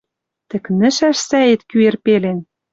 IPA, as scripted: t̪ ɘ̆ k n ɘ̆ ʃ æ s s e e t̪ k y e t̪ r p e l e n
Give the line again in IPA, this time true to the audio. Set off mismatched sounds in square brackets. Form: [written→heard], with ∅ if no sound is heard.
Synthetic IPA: t̪ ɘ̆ k n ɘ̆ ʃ æ [s→ʃ] s [e→æ] e t̪ k y e [t̪→∅] r p e l e n